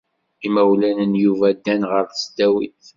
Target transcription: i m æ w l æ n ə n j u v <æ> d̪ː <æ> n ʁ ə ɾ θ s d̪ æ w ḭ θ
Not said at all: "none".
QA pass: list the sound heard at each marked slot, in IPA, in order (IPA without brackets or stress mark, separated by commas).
æ, æ